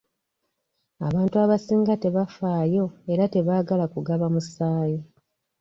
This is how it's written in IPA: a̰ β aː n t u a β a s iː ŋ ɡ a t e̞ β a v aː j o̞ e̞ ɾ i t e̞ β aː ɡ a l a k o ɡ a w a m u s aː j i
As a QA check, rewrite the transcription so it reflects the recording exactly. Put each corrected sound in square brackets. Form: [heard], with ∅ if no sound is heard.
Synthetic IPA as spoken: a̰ β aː n t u a β a s iː ŋ ɡ a t e̞ β a [f] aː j o̞ e̞ ɾ [a] t e̞ β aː ɡ a l a k [u] ɡ a [β] a m u s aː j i